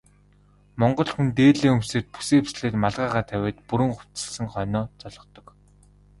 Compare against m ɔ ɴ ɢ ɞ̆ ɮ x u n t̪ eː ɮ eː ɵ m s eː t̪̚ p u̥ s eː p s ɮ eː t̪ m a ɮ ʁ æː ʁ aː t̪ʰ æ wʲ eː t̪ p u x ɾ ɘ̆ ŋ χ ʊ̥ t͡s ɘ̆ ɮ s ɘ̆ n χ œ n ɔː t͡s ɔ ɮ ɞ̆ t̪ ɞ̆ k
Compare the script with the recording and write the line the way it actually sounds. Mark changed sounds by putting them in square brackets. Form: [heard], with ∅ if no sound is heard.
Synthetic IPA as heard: m ɔ ɴ ɢ ɞ̆ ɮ x u n t̪ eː ɮ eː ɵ m s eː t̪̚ p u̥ s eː p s ɮ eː t̪ m a ɮ ʁ [aː] ʁ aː t̪ʰ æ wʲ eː t̪ p u [∅] ɾ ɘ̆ ŋ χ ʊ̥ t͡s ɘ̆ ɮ s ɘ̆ [ŋ] χ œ n ɔː t͡s ɔ ɮ ɞ̆ t̪ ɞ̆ k